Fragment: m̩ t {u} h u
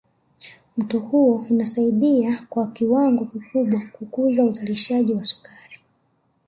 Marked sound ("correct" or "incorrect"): incorrect